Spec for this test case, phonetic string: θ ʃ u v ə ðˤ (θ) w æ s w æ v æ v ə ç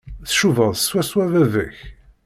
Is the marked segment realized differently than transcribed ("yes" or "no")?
yes